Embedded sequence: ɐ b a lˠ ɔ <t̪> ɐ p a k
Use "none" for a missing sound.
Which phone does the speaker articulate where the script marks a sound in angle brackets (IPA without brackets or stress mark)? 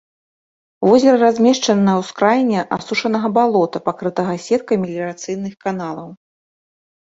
t̪